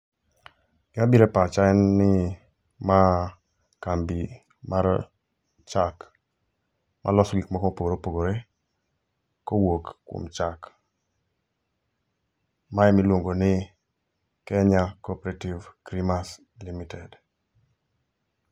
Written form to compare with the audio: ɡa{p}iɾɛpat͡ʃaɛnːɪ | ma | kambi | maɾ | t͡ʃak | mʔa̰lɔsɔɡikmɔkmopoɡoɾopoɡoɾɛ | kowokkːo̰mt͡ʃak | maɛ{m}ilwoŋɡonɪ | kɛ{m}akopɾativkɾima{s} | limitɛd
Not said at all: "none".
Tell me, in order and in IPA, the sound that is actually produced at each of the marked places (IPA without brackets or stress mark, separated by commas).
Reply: b, m, ɲ, s